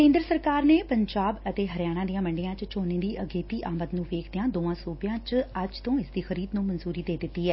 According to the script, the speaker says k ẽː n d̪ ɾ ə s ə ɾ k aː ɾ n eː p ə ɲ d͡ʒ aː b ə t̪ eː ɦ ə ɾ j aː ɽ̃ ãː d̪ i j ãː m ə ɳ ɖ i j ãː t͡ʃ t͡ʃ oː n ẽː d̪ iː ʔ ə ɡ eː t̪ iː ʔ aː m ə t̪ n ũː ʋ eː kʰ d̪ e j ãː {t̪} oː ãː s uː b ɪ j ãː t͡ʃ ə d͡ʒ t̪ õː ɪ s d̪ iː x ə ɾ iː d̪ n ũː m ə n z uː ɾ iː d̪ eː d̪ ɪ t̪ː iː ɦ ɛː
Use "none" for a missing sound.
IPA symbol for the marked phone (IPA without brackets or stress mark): d̪